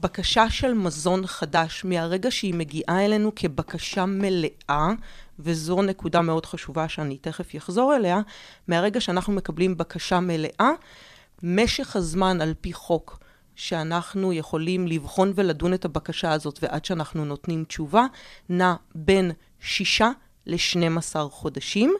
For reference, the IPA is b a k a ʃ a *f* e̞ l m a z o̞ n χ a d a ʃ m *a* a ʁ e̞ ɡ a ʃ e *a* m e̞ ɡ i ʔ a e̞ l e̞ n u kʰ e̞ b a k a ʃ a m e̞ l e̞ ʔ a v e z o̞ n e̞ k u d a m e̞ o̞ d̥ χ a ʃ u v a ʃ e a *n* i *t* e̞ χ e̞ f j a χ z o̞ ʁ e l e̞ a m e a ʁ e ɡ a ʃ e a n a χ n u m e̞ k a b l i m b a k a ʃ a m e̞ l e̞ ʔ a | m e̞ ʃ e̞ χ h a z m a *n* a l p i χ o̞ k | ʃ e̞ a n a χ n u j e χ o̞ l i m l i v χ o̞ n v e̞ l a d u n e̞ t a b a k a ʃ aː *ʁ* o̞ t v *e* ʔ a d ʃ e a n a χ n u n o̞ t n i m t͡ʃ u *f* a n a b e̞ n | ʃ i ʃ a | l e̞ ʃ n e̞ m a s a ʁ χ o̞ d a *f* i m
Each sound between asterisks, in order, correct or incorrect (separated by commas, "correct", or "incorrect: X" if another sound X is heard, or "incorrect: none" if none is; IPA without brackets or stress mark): incorrect: ʃ, incorrect: e, incorrect: i, correct, correct, correct, incorrect: z, correct, incorrect: v, incorrect: ʃ